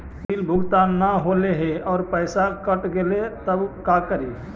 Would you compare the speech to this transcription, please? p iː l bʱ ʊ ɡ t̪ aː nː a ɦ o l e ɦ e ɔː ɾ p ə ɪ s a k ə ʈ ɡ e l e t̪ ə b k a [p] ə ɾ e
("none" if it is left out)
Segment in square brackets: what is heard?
k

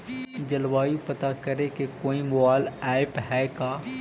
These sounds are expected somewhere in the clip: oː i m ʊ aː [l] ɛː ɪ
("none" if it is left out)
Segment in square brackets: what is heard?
l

